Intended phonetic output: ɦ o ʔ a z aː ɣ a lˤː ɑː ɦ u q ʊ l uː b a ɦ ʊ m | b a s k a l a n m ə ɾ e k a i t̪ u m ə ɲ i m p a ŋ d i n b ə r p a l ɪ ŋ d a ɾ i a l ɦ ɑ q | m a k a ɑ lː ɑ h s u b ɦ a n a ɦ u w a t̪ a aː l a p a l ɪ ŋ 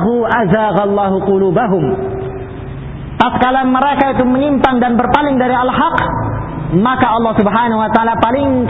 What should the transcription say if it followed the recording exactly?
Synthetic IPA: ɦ u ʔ a z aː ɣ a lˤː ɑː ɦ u q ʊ l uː b a ɦ ʊ m | p a s k a l a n m ə ɾ e k a i t̪ u m ə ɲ i m p a ŋ d a n b ə r p a l ɪ ŋ d a ɾ i a l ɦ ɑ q | m a k a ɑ lː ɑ h s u b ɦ a n a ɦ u w a t̪ a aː l a p a l ɪ ŋ